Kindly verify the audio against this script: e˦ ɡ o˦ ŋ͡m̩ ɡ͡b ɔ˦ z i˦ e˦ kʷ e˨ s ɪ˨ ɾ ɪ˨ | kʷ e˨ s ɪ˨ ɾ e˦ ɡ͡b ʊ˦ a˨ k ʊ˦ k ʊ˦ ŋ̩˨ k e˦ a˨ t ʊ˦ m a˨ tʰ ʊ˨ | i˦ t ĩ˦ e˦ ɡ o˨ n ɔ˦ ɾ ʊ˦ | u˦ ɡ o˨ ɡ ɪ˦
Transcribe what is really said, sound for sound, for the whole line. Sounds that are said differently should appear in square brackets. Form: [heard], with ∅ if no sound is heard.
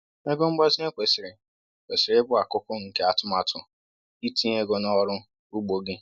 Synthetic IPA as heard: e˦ ɡ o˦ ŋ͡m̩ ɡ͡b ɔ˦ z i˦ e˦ kʷ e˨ s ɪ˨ ɾ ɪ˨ | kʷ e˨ s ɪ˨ ɾ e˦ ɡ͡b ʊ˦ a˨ k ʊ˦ k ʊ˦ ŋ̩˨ k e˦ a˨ t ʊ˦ m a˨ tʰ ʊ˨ | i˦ t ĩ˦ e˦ ɡ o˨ n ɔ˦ ɾ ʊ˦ | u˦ [ɡ͡b] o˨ ɡ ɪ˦